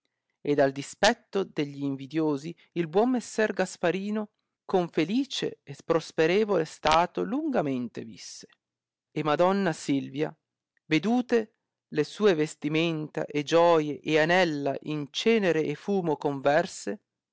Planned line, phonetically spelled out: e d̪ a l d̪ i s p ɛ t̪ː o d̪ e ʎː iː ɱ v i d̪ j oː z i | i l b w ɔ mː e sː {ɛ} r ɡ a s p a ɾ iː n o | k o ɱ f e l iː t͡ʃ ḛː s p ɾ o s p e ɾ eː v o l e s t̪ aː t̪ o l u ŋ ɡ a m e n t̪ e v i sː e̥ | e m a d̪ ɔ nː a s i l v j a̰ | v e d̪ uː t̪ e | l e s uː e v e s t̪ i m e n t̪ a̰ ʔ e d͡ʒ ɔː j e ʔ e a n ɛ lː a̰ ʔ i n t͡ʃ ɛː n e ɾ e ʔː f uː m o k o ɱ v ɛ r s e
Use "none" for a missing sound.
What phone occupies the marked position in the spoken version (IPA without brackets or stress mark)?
ɛ